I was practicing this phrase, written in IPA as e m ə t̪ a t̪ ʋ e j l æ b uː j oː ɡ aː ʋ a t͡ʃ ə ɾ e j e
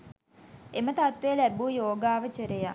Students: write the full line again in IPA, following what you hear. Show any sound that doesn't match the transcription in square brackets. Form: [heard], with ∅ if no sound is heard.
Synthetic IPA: e m ə t̪ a t̪ ʋ e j l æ b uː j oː ɡ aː ʋ [ə] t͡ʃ ə ɾ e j [a]